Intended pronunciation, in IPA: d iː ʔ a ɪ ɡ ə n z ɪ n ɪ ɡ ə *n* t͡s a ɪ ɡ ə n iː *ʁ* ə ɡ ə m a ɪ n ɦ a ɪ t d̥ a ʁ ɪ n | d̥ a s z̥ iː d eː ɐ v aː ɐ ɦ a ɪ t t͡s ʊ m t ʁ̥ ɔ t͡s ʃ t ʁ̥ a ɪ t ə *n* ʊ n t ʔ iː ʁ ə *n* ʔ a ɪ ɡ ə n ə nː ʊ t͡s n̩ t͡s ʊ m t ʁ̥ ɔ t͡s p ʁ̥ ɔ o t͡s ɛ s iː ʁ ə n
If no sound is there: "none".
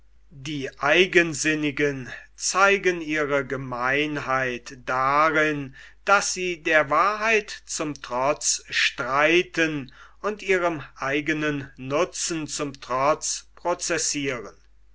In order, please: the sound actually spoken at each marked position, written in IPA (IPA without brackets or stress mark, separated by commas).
n, ʁ, n, m